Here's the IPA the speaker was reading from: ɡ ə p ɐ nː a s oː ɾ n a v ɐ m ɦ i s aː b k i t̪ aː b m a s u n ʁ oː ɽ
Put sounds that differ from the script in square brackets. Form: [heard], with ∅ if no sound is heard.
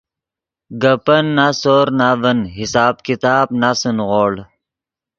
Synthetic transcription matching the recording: ɡ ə p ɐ nː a s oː ɾ n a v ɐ [n] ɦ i s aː b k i t̪ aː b [n] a s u n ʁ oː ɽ